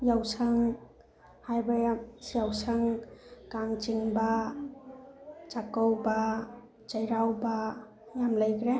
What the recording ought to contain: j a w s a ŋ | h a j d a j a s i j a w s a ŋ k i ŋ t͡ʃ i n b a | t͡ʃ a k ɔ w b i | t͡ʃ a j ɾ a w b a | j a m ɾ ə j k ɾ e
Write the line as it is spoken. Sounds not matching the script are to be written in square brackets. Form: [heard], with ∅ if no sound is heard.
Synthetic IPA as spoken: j a w s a ŋ | h a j [b] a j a s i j a w s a ŋ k [a] ŋ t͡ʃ i [ŋ] b a | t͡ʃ a k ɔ w b [a] | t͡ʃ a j ɾ a w b a | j a m [l] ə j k ɾ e